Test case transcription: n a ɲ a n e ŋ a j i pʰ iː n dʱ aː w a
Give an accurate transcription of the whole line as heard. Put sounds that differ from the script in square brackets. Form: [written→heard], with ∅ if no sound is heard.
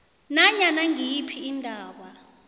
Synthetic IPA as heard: n a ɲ a n [e→a] ŋ [a→i] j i pʰ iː n dʱ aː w a